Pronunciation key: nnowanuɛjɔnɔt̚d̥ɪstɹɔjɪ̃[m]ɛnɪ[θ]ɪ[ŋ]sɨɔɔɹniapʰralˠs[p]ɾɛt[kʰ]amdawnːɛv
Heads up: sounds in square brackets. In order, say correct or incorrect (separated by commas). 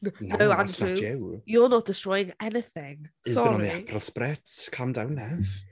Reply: incorrect, correct, correct, correct, correct